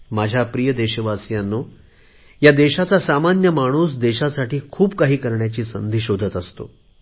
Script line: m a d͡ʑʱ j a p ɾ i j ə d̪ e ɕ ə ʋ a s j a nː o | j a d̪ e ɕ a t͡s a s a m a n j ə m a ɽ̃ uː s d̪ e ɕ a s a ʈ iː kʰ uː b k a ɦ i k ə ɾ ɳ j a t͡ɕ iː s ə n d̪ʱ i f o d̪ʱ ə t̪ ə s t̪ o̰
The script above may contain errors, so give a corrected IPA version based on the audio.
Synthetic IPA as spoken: m a d͡ʑʱ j a p ɾ i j ə d̪ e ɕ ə ʋ a s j a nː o | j a d̪ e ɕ a t͡s a s a m a n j ə m a ɽ̃ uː s d̪ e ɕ a s a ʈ iː kʰ uː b k a ɦ iː k ə ɾ ɳ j a t͡ɕ iː s ə n d̪ʱ i ɕ o d̪ʱ ə t̪ ə s t̪ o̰